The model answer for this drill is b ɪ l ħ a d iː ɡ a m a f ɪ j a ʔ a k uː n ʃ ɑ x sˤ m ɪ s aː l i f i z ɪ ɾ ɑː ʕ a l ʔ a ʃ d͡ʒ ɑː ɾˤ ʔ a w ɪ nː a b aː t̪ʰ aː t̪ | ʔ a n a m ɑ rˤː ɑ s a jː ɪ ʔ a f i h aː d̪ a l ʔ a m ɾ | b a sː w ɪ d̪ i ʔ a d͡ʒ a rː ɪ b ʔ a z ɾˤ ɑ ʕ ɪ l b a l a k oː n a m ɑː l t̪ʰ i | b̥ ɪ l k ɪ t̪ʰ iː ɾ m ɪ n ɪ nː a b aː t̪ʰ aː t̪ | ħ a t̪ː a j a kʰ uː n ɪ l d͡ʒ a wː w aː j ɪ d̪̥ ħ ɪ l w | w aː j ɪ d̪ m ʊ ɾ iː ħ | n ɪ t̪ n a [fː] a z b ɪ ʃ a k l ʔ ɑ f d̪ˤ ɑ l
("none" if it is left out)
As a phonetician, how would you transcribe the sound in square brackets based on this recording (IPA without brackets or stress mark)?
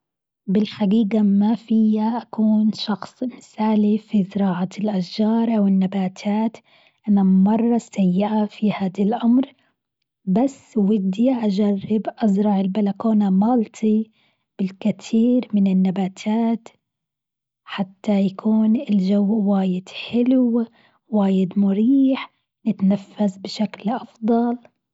fː